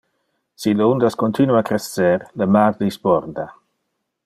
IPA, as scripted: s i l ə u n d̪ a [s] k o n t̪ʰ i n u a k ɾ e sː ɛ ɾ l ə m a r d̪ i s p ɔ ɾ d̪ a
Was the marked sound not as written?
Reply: no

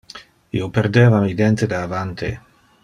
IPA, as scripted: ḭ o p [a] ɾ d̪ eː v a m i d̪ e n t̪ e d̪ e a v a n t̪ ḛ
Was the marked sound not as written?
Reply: yes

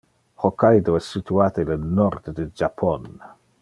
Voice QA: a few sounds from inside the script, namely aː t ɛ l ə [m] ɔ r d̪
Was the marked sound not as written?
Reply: yes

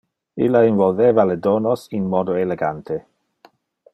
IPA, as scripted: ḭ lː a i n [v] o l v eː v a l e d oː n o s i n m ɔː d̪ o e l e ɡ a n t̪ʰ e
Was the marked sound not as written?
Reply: no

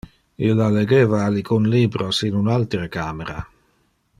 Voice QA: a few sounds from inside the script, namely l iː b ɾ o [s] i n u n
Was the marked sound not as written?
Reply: no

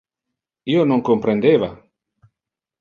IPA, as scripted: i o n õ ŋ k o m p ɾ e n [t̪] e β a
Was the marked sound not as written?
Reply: yes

